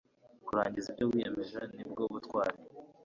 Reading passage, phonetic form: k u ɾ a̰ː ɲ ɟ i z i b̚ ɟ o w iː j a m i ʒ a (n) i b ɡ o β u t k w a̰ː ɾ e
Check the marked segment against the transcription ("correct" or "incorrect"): correct